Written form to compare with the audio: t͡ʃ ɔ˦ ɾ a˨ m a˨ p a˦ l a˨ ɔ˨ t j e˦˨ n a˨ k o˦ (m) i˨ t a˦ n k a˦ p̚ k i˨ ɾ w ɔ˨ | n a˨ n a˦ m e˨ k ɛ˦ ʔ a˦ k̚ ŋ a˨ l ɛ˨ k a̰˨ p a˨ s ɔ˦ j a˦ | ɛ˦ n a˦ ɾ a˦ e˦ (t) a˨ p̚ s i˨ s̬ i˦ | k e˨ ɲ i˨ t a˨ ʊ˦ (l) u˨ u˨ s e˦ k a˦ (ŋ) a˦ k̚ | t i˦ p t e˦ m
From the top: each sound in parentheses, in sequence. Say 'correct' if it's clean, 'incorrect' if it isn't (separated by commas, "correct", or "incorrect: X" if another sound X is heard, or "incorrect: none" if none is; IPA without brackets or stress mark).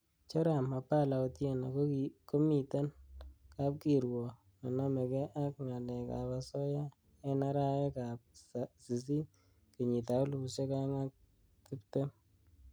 correct, incorrect: k, correct, correct